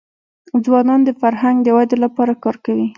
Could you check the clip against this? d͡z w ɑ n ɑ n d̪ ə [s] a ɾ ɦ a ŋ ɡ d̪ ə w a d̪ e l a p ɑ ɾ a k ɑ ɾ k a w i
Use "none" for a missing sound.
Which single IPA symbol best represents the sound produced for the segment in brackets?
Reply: f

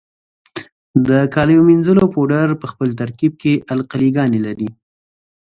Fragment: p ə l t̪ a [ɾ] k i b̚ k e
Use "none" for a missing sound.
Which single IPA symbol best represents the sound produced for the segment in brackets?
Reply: ɾ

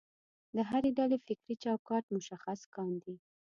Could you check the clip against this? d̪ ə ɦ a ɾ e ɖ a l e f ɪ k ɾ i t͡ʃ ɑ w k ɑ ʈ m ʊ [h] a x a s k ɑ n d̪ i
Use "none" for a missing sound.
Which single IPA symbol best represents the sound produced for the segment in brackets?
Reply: ʃ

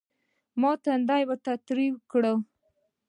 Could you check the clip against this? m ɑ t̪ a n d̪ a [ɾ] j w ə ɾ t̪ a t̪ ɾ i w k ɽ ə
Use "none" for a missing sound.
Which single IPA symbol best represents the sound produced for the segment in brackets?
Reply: none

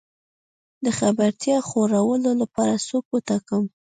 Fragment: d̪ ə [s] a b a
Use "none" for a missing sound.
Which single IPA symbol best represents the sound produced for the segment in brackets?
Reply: x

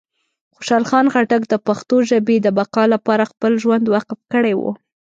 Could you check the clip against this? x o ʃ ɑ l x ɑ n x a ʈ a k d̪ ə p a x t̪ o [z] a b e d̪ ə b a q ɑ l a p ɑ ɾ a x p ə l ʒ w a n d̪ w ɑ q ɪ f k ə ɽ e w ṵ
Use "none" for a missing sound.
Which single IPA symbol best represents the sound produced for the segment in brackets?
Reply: ʒ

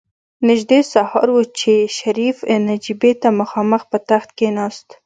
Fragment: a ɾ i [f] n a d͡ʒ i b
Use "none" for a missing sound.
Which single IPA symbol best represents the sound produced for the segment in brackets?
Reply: f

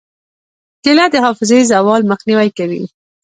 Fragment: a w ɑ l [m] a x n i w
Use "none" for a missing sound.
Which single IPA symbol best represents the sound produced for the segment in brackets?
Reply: m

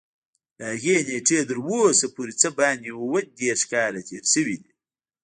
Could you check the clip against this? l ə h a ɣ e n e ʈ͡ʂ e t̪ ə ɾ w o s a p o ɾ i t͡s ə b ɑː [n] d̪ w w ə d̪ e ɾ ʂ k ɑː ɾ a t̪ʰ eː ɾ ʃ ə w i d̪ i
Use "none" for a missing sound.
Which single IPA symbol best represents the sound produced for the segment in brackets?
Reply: n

